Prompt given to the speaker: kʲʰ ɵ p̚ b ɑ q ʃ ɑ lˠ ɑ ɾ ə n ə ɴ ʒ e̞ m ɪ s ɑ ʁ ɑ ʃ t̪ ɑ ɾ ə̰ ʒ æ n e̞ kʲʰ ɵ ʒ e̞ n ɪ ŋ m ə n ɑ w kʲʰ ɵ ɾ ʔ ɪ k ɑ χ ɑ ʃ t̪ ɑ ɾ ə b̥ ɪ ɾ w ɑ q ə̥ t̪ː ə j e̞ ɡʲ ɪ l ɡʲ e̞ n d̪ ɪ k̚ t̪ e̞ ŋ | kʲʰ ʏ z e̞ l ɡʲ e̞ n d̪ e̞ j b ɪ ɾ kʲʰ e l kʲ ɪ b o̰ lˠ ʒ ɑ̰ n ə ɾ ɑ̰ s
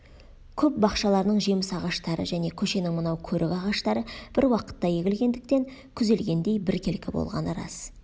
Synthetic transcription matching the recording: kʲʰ ɵ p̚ b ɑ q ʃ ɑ lˠ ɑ ɾ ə n ə ɴ ʒ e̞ m ɪ s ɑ ʁ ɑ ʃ t̪ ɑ ɾ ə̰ ʒ æ n e̞ kʲʰ ɵ ʃ e̞ n ɪ ŋ m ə n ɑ w kʲʰ ɵ ɾ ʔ ɪ k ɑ ʁ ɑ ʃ t̪ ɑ ɾ ə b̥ ɪ ɾ w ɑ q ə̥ t̪ː ɑ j e̞ ɡʲ ɪ l ɡʲ e̞ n d̪ ɪ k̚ t̪ e̞ ŋ | kʲʰ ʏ z e̞ l ɡʲ e̞ n d̪ e̞ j b ɪ ɾ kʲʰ e l kʲ ɪ b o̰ lˠ ʁ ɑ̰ n ə ɾ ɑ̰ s